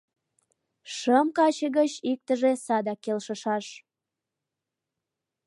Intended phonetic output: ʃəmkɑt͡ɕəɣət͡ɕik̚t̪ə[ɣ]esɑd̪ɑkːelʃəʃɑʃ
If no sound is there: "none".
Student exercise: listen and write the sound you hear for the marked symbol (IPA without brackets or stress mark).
ʒ